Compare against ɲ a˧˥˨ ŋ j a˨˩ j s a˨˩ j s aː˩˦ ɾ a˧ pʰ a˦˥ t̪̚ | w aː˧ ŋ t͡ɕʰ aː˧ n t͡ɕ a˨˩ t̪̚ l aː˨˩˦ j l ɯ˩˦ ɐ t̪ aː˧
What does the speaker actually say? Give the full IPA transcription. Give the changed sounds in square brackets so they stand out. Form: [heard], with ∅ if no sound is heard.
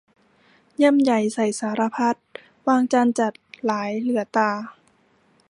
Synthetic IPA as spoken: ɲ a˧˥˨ [m] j a˨˩ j s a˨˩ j s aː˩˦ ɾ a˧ pʰ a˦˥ t̪̚ | w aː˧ ŋ [t͡ɕ] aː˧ n t͡ɕ a˨˩ t̪̚ l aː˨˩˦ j l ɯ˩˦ ɐ t̪ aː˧